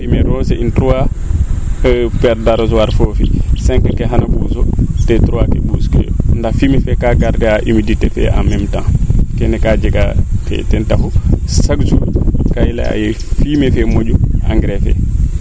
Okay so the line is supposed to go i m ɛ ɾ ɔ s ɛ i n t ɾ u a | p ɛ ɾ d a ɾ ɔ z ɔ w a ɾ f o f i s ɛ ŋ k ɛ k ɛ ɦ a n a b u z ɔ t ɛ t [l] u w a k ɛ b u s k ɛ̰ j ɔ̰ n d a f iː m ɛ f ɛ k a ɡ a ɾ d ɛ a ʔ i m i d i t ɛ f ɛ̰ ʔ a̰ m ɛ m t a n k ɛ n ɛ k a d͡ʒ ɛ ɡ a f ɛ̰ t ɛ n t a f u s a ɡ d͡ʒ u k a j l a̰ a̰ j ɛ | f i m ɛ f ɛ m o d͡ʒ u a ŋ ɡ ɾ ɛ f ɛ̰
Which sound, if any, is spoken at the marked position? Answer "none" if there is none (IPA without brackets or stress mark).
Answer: ɾ